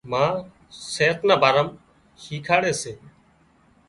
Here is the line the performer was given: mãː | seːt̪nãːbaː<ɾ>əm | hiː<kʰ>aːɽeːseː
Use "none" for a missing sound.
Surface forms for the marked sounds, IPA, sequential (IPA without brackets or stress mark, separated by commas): ɾ, kʰ